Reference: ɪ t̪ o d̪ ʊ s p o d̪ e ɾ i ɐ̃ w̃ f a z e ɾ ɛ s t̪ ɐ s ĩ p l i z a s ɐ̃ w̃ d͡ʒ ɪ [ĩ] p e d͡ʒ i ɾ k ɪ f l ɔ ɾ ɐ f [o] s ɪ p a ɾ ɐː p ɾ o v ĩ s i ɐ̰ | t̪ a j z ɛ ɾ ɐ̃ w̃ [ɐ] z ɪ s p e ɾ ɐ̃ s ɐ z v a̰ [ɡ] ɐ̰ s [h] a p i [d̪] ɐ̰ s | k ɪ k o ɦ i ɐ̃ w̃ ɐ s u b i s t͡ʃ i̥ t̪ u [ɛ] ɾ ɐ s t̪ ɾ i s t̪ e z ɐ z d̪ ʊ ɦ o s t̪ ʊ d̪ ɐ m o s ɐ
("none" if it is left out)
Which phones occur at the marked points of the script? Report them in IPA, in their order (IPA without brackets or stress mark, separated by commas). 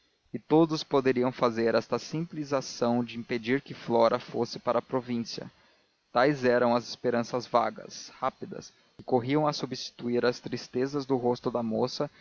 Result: ĩ, o, ɐ, ɡ, h, d̪, i